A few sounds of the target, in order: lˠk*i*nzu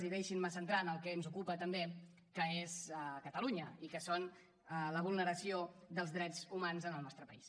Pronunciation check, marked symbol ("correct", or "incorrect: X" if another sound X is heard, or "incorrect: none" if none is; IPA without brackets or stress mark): incorrect: ɛ